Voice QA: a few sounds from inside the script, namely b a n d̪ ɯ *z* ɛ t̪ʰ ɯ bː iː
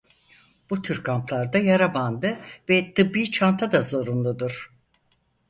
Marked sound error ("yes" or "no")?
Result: yes